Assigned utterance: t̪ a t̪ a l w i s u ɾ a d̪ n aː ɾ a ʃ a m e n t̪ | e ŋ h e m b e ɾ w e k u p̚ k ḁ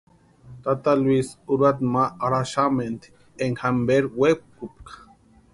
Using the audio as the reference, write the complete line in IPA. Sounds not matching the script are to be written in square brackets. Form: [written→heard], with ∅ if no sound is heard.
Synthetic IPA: t̪ a t̪ a l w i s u ɾ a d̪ [n→m] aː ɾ a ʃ a m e n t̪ | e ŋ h [e→a] m b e ɾ w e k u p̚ k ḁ

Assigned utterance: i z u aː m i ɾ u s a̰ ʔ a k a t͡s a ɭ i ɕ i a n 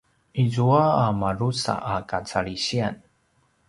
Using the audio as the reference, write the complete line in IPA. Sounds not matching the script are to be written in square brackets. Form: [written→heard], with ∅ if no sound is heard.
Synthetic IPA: i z u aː m [i→a] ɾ u s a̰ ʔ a k a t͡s a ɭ i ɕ i a n

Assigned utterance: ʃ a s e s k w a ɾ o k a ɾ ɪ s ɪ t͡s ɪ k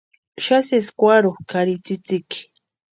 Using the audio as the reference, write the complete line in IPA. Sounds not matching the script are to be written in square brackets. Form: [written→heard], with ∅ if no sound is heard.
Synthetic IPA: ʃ a s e s k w a ɾ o k a ɾ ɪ [s→t͡s] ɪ t͡s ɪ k

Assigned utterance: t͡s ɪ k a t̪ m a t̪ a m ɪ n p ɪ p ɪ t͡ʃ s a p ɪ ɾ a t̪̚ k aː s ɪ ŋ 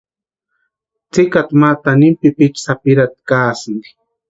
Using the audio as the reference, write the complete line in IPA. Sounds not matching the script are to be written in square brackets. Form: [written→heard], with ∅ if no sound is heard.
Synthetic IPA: t͡s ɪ k a t̪ m a t̪ a [m→n] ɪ [n→m] p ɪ p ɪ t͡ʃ s a p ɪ ɾ a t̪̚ k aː s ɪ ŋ

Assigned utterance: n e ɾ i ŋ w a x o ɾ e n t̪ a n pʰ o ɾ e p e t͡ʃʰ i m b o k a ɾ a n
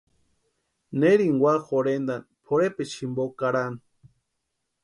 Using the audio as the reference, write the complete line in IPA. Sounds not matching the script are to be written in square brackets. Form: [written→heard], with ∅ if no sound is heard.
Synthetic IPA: n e ɾ i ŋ w a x o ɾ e n [t̪→d̪] a n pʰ o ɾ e p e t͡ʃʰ i m b o k a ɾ a n

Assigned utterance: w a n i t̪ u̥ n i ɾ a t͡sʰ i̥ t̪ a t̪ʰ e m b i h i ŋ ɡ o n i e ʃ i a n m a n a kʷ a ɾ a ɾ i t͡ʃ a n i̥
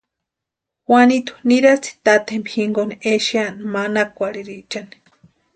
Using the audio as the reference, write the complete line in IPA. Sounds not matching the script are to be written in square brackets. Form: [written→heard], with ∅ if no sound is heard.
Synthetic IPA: w a n i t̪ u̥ n i ɾ a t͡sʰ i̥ t̪ a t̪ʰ e m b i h i ŋ ɡ o n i e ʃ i a n m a n a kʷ a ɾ [a→i] ɾ i t͡ʃ a n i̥

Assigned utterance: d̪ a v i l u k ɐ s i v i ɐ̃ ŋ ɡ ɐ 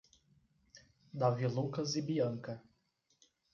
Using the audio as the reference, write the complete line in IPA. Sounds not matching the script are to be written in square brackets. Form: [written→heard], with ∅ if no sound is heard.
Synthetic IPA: d̪ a v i l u k ɐ [s→z] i [v→b] i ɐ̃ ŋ [ɡ→k] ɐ

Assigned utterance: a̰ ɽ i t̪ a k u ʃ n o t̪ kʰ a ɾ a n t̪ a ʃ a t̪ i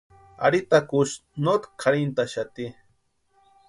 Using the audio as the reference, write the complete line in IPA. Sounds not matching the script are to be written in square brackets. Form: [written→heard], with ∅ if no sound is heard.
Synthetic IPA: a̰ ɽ i t̪ a k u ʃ n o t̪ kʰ a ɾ [a→i] n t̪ a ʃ a t̪ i

